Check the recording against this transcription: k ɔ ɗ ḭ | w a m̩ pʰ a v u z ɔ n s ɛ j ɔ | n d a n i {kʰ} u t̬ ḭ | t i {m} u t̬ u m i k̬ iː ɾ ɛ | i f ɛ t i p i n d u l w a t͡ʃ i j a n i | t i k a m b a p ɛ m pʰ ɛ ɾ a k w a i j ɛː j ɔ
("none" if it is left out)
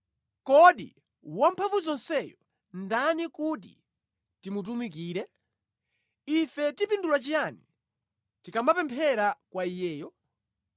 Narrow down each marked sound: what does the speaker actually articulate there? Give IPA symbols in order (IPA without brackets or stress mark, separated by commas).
k, m